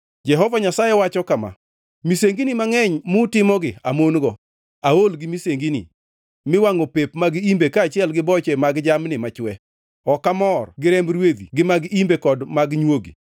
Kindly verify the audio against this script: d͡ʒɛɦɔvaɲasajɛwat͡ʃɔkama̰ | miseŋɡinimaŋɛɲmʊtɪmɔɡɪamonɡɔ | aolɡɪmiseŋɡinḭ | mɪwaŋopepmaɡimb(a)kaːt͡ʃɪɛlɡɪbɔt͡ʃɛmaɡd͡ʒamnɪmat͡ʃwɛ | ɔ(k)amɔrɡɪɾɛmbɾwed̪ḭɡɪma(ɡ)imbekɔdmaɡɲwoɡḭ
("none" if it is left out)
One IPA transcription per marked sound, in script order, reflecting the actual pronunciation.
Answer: e, k, ɡ

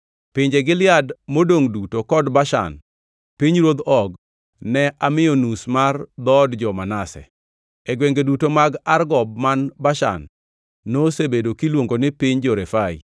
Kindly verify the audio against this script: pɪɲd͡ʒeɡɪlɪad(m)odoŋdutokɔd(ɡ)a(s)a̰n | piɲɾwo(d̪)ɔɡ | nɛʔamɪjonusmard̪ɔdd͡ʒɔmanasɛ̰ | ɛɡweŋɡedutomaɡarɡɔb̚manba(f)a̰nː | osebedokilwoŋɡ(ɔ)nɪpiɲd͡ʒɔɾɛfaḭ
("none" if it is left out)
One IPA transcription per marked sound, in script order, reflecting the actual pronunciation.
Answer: m, b, ʃ, d̪, ʃ, o

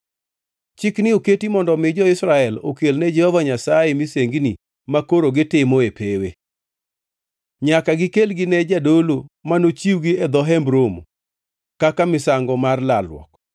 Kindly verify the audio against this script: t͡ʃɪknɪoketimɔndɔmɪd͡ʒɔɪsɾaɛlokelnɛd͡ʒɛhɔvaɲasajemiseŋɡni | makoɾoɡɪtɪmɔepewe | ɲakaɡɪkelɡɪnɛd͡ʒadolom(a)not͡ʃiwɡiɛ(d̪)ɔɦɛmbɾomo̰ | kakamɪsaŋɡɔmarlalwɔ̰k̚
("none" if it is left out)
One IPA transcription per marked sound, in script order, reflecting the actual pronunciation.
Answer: a, d̪

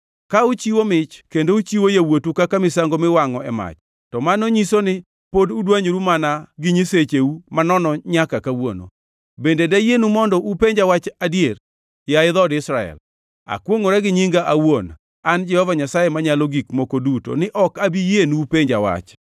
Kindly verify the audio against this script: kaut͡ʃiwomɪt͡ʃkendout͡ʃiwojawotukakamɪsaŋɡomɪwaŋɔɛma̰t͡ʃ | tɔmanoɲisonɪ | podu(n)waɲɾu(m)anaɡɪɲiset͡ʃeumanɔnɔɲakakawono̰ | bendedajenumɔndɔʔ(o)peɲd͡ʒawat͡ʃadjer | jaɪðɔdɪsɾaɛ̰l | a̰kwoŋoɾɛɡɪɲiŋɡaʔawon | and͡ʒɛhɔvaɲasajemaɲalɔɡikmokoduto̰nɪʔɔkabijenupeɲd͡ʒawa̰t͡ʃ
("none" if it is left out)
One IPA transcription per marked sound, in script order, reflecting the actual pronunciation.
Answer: d, m, u

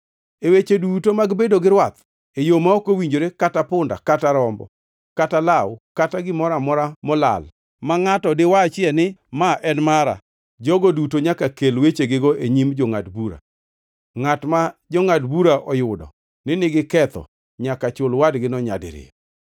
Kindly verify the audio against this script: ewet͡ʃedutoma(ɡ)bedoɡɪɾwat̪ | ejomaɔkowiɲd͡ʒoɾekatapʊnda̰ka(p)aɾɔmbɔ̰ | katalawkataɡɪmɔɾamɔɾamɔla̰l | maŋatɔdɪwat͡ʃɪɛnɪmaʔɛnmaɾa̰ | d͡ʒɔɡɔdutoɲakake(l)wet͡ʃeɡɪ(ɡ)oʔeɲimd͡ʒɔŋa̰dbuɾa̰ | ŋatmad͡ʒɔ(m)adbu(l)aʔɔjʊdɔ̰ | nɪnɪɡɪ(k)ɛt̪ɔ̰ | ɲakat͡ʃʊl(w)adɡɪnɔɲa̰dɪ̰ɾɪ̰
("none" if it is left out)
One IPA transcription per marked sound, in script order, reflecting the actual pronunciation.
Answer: ɡ, t, l, ɡ, ŋ, ɾ, k, w

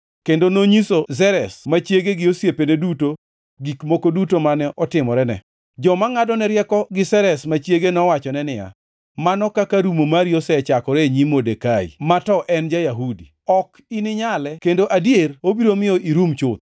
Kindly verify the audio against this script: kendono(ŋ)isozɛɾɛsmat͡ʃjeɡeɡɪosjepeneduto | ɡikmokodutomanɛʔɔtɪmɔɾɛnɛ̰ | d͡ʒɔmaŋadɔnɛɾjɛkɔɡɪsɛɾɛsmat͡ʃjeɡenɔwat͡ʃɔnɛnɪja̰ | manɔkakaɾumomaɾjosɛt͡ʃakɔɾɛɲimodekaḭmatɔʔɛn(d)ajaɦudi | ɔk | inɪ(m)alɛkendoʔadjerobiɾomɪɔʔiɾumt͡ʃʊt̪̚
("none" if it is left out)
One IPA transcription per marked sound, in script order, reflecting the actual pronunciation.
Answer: ɲ, d͡ʒ, ɲ

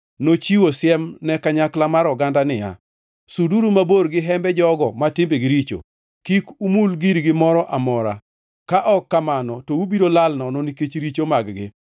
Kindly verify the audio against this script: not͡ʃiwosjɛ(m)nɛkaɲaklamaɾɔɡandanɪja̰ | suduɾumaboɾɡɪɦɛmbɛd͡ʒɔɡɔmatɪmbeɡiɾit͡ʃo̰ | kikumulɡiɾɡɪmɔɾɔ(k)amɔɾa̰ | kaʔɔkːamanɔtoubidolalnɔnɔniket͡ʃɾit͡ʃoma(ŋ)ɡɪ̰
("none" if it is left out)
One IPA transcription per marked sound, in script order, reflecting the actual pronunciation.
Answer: m, ʔ, ɡ

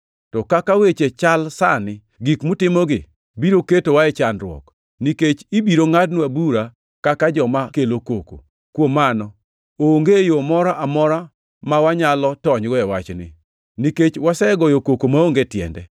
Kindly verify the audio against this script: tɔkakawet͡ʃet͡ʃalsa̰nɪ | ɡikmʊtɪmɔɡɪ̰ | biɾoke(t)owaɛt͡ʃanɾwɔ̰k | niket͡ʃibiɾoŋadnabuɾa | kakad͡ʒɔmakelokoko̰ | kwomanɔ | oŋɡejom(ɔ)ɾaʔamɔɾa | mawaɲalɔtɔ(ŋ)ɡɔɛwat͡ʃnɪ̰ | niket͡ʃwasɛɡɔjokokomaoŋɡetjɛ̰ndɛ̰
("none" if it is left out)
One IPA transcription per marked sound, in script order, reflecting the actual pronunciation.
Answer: t, ɔ, ɲ

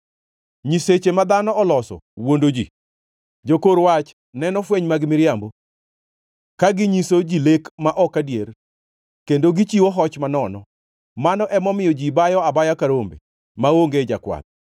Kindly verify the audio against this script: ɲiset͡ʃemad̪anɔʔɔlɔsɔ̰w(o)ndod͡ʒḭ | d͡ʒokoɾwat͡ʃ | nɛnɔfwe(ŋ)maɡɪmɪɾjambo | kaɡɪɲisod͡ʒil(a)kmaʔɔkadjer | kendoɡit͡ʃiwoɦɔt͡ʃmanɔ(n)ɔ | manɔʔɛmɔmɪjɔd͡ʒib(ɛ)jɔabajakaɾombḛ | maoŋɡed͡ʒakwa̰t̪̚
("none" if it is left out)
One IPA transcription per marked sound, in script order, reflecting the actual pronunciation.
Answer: o, ɲ, e, n, a

